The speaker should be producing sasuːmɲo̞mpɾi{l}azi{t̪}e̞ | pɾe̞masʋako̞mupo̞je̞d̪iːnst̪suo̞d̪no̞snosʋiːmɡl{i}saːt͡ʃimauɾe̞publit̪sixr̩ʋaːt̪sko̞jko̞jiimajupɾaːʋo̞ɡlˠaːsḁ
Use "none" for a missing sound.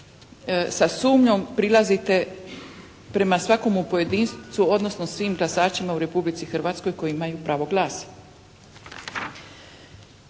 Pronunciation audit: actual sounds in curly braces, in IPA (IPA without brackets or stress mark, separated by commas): l, t̪, a